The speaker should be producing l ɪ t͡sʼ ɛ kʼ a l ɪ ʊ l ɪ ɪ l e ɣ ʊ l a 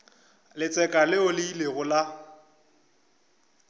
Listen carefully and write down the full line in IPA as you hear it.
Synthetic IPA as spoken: l ɪ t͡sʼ ɛ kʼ a l ɪ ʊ l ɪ i l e ɣ ʊ l a